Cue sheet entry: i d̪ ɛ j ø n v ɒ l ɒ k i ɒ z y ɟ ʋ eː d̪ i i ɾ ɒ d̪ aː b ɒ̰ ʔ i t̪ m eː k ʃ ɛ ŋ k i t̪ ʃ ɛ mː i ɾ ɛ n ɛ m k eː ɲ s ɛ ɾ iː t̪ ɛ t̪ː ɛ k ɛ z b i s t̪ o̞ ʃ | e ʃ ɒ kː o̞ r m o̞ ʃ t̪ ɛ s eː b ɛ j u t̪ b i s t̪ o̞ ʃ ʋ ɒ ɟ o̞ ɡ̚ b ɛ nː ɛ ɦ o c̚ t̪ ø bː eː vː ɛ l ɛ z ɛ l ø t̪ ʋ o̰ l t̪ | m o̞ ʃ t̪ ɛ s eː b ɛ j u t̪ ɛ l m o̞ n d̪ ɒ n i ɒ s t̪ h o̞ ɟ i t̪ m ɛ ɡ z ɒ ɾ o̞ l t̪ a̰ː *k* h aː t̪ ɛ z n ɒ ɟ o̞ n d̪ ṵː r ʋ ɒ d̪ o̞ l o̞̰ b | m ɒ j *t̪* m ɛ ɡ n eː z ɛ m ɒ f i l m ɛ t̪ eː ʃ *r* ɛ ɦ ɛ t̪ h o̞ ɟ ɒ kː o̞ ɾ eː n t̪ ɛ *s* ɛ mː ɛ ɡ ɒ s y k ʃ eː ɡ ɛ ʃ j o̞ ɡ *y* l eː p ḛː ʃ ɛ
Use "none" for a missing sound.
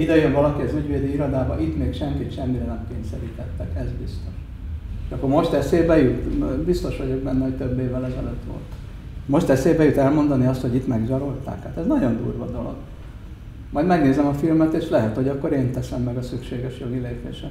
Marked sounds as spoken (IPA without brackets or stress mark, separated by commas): k, d̪, l, s, i